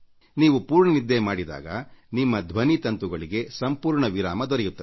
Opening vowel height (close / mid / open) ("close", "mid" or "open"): close